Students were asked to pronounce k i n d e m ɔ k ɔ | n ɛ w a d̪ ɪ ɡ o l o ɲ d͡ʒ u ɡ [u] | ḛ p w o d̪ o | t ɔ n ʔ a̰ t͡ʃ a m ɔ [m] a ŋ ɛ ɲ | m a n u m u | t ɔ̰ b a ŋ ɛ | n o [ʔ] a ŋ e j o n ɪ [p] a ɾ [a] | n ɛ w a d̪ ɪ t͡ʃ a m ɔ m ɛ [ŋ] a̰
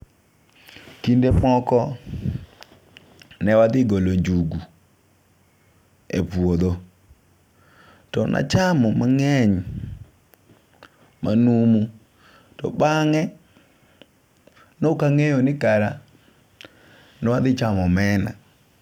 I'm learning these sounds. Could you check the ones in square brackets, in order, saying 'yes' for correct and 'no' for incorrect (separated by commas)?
yes, yes, no, no, yes, no